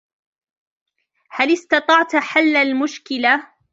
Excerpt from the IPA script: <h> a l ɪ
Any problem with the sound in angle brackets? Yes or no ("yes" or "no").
no